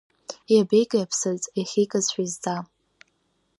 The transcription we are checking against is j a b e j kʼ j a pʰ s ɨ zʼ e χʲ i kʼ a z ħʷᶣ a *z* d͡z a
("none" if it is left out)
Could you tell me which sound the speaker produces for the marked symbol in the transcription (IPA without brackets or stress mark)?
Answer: z